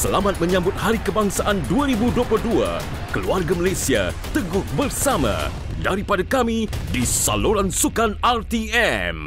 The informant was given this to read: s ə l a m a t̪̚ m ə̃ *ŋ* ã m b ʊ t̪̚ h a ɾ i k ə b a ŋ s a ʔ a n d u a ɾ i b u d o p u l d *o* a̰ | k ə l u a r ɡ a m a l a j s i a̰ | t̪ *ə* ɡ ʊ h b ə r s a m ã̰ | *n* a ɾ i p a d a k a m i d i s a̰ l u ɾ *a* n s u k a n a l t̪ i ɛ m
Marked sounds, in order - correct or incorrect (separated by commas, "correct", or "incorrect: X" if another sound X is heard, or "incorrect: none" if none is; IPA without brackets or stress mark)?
incorrect: ɲ, incorrect: u, correct, incorrect: d, correct